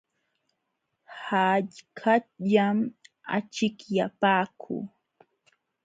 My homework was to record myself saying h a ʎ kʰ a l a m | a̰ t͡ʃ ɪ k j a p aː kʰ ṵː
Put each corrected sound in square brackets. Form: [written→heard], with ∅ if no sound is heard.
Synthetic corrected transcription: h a ʎ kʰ a [l→ʎ] a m | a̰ t͡ʃ ɪ k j a p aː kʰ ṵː

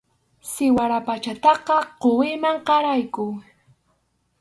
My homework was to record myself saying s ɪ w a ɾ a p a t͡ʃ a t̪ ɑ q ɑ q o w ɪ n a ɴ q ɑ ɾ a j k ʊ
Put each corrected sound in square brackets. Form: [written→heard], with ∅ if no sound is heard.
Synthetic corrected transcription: s ɪ w a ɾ a p a t͡ʃ a t̪ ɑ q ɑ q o w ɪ [n→m] a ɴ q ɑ ɾ a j k ʊ

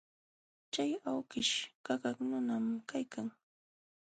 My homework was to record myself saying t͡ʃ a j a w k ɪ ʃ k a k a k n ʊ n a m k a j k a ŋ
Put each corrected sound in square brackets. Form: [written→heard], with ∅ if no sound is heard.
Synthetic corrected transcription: t͡ʃ a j a w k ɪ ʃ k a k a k n ʊ n a m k a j k a ŋ

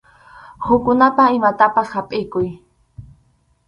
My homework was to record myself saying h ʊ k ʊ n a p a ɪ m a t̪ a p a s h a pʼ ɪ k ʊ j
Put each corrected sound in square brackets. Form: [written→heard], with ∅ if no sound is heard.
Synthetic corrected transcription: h ʊ k ʊ n a p a ɪ m a t̪ a p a s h a pʼ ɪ k ʊ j

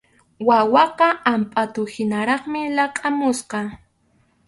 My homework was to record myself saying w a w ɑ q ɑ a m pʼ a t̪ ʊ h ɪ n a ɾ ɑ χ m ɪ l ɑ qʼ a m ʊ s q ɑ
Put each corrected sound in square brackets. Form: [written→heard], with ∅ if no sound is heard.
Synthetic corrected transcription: w a w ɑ q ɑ a m pʼ a t̪ ʊ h ɪ n a ɾ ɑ χ m ɪ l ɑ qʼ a m ʊ s q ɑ

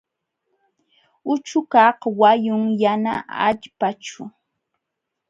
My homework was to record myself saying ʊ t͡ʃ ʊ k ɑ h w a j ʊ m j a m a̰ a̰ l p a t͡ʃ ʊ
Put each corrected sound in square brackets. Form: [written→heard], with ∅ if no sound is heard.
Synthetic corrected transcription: ʊ t͡ʃ ʊ k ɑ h w a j ʊ [m→ŋ] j a [m→n] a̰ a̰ [l→ʎ] p a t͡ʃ ʊ

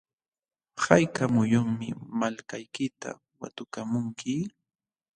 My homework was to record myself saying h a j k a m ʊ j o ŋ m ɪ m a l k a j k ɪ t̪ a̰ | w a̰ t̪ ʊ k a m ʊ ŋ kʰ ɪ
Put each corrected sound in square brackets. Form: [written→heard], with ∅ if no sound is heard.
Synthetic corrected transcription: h a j k a m ʊ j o ŋ m ɪ m a l k a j k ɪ t̪ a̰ | w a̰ t̪ ʊ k a m ʊ ŋ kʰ ɪ

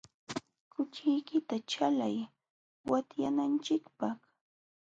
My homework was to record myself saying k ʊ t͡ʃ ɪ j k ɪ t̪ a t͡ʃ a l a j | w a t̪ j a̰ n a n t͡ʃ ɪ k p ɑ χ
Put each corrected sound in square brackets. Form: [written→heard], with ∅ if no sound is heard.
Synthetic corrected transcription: k ʊ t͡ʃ ɪ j k ɪ t̪ a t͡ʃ a l a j | w a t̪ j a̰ n a n t͡ʃ ɪ k p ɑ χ

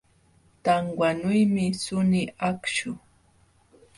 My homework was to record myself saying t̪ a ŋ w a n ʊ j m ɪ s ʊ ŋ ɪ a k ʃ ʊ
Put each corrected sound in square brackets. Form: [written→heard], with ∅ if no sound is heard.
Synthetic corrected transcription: t̪ a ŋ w a n ʊ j m ɪ s ʊ [ŋ→n] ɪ a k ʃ ʊ

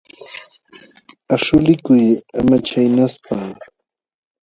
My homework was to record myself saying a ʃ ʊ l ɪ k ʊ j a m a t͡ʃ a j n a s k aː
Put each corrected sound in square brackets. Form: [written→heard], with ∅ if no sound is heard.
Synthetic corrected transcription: a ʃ ʊ l ɪ k ʊ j a m a t͡ʃ a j n a s [k→p] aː

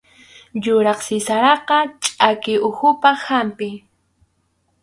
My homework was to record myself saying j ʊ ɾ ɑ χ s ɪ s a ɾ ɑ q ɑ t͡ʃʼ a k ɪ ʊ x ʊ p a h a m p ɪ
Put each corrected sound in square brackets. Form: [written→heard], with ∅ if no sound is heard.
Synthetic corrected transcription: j ʊ ɾ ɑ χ s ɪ s a ɾ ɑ q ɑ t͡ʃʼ a k ɪ ʊ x ʊ p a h a m p ɪ

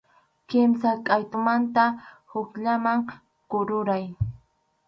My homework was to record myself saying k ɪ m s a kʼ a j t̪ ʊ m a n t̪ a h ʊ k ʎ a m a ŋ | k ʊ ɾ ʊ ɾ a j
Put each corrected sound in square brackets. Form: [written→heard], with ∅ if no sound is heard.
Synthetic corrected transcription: k ɪ m s a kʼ a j t̪ ʊ m a n t̪ a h ʊ k ʎ a m a ŋ | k ʊ ɾ ʊ ɾ a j

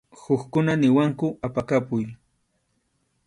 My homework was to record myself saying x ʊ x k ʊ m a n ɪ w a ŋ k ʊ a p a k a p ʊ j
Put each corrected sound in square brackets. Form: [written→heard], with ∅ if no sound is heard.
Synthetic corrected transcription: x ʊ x k ʊ [m→n] a n ɪ w a ŋ k ʊ a p a k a p ʊ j

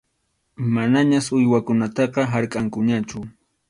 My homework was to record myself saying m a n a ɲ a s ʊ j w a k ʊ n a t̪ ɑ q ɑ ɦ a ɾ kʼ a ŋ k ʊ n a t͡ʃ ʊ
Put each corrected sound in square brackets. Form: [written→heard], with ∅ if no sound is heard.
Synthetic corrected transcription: m a n a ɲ a s ʊ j w a k ʊ n a t̪ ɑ q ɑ ɦ a ɾ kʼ a ŋ k ʊ [n→ɲ] a t͡ʃ ʊ

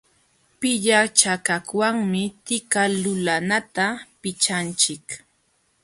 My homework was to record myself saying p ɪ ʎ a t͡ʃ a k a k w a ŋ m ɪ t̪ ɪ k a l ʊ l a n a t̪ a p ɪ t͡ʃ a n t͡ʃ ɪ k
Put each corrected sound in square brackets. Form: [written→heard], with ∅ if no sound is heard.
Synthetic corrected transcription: p ɪ ʎ a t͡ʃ a k a k w a ŋ m ɪ t̪ ɪ k a l ʊ l a n a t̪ a p ɪ t͡ʃ a n t͡ʃ ɪ k

